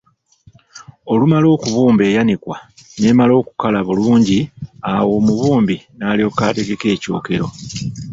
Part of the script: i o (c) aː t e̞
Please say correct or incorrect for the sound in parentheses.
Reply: incorrect